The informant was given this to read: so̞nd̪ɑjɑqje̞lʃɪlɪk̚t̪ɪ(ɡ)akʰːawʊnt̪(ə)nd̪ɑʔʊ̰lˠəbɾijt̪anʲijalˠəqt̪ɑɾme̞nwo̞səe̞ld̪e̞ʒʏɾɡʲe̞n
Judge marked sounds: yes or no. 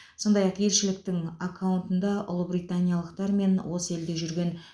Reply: no, yes

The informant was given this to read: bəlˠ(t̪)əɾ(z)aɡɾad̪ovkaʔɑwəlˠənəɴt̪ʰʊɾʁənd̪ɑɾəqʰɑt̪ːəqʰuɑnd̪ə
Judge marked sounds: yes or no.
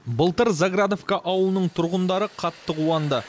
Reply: yes, yes

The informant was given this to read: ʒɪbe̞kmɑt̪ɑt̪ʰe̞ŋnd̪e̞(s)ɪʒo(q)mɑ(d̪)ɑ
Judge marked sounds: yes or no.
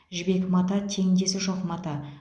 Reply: yes, yes, no

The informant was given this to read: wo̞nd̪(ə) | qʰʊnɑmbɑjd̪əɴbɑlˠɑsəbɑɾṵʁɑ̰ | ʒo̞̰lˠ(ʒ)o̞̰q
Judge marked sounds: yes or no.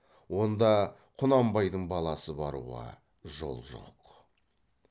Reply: no, yes

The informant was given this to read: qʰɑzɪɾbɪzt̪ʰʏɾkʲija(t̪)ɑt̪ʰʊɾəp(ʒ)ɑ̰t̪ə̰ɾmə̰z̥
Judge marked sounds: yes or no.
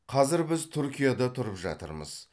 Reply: no, yes

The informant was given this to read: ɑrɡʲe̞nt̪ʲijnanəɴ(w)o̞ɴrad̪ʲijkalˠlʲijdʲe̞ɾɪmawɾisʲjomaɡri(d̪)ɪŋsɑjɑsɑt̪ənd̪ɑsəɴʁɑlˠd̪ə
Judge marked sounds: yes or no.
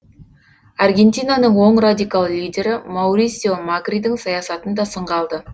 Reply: yes, yes

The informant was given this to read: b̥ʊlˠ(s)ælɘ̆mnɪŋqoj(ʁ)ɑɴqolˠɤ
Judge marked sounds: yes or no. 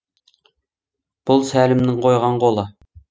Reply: yes, yes

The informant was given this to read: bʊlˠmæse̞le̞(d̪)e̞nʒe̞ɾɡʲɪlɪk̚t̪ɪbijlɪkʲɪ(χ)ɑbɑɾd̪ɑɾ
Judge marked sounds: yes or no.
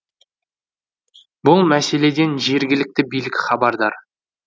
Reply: yes, yes

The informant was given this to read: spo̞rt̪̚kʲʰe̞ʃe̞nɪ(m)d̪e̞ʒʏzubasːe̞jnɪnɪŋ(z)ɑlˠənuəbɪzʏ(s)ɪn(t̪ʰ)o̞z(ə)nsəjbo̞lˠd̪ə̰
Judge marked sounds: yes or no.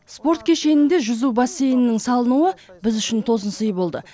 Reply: no, no, no, yes, yes

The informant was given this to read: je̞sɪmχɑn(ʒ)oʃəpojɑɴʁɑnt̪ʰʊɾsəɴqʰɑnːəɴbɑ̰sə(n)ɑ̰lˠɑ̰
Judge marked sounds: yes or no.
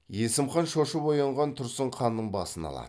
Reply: no, yes

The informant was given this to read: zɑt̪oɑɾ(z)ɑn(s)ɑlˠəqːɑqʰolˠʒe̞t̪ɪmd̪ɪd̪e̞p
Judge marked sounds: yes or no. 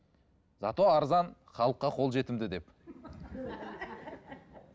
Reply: yes, no

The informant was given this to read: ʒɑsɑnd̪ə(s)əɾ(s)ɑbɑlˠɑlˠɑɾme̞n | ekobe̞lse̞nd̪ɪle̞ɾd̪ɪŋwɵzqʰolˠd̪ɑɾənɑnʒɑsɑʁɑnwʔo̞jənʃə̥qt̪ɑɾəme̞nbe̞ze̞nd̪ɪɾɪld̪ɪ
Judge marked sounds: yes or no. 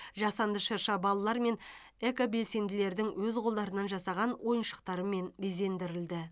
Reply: no, no

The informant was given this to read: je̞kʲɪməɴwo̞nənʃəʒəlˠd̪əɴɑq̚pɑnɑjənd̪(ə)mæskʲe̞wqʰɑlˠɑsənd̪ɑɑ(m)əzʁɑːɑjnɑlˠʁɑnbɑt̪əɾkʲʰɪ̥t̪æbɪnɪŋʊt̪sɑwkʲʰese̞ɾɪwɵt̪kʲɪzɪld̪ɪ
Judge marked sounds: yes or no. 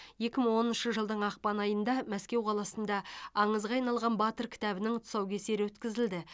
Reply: no, no

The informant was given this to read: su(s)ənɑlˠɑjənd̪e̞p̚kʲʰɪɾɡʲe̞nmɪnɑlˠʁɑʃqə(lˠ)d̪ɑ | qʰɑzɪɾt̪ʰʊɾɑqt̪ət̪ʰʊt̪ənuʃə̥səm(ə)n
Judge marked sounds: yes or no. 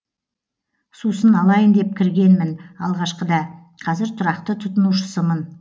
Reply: yes, no, yes

